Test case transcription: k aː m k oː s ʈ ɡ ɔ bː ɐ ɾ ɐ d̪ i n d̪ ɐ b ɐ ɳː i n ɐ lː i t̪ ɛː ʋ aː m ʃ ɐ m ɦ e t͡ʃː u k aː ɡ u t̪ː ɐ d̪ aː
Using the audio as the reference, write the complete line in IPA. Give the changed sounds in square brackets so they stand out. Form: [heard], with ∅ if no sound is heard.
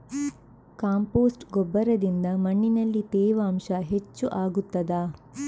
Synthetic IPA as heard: k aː m [p] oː s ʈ ɡ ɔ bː ɐ ɾ ɐ d̪ i n d̪ ɐ [m] ɐ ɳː i n ɐ lː i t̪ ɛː ʋ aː m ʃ ɐ [∅] ɦ e t͡ʃː u [ʔ] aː ɡ u t̪ː ɐ d̪ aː